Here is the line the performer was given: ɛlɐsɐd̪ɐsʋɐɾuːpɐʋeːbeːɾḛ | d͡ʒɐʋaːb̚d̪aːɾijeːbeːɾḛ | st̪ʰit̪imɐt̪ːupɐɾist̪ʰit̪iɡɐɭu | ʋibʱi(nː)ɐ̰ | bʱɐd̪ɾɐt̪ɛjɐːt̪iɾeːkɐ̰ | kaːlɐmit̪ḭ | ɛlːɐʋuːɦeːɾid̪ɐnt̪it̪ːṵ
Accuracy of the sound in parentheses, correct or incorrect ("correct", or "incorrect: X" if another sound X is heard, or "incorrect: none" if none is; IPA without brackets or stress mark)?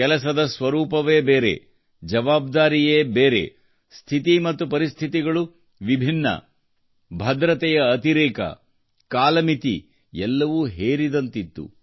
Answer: correct